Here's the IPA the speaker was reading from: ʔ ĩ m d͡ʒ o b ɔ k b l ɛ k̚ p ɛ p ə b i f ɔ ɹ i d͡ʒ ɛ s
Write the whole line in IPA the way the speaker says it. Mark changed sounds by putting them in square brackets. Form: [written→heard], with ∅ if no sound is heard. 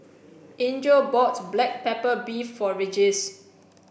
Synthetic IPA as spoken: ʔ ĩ [m→n] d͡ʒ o b ɔ [k→t] b l ɛ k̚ p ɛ p ə b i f ɔ ɹ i d͡ʒ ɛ s